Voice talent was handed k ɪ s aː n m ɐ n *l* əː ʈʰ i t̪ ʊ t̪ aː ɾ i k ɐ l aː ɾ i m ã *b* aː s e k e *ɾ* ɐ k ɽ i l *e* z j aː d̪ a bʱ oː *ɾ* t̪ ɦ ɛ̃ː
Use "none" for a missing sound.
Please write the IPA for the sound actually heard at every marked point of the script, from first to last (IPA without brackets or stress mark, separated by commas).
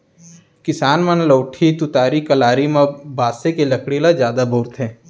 l, b, l, a, ɾ